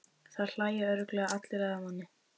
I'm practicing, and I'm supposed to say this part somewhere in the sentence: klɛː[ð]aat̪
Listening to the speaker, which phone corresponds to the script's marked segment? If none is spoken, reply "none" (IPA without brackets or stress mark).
ɣ